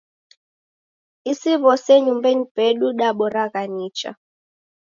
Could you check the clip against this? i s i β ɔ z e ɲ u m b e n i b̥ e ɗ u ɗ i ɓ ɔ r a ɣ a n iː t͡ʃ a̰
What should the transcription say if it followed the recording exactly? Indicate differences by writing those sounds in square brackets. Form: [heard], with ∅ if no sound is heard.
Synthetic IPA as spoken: i s i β ɔ [s] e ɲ u m b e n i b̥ e ɗ u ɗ [a] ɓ ɔ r a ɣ a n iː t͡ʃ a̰